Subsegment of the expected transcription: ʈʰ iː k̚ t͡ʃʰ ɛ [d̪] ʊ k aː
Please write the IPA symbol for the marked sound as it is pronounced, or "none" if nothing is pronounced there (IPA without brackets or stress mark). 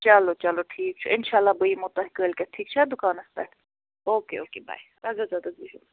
d̪